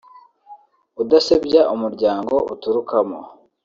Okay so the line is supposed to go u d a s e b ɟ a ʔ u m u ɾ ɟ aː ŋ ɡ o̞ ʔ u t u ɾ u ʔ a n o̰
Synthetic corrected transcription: u d a s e b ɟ a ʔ u m u ɾ ɟ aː ŋ ɡ o̞ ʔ u t u ɾ u k a m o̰